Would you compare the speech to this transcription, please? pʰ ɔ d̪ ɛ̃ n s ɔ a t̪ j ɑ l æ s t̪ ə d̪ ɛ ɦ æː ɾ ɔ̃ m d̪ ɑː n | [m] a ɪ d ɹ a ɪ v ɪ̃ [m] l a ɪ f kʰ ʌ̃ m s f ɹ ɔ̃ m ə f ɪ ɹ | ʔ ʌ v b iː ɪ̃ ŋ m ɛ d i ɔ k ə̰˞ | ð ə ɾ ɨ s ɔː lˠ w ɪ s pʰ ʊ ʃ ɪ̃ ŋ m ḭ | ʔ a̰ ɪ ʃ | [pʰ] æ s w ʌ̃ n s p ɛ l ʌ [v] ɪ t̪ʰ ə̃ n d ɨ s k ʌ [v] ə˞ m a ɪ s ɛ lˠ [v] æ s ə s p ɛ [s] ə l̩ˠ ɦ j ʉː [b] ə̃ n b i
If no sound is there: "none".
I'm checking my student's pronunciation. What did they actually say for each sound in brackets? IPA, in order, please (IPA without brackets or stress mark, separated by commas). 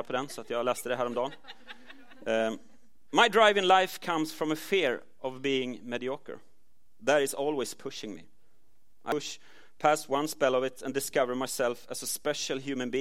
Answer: m, ŋ, pʰ, v, v, f, ʃ, m